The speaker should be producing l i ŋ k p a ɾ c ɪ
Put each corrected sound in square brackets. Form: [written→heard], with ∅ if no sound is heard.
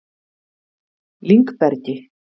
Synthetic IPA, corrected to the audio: l i ŋ k p [a→ɛ] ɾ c ɪ